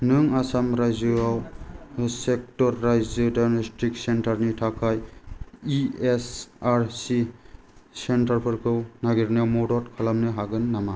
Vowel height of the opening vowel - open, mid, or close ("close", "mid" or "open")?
close